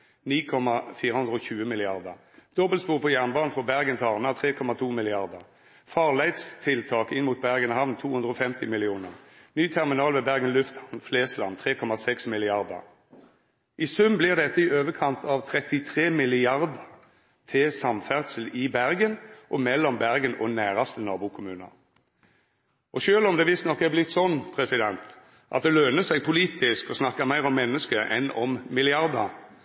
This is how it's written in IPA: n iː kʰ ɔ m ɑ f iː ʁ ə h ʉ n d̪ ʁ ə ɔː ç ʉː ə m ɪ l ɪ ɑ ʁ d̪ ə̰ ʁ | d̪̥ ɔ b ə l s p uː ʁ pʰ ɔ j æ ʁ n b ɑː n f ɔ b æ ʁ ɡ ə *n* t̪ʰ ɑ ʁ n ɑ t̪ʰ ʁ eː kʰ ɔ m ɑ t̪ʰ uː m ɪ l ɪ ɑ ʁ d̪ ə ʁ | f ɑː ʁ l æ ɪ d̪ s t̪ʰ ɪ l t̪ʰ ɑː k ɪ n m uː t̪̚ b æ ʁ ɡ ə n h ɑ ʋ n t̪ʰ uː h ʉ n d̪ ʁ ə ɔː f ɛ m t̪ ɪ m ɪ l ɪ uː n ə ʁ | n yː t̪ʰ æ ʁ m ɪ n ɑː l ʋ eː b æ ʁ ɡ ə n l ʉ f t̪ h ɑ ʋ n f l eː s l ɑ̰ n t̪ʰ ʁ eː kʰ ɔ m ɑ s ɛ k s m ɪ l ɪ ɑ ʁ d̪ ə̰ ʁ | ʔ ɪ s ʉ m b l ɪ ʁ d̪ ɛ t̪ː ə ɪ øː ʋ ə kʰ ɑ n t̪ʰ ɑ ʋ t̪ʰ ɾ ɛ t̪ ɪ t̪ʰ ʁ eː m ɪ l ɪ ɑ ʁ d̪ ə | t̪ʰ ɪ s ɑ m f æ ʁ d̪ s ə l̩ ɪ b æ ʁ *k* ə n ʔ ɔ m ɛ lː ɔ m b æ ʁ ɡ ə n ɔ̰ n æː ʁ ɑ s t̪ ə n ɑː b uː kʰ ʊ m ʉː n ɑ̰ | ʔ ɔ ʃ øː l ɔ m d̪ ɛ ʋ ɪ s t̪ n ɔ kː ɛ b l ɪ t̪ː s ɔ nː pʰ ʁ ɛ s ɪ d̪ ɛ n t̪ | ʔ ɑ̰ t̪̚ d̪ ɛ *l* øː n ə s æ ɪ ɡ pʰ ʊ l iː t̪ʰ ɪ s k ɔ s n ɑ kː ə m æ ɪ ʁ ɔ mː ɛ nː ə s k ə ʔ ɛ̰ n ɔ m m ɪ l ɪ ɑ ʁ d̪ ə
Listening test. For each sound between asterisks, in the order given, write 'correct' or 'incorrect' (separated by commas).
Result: correct, incorrect, correct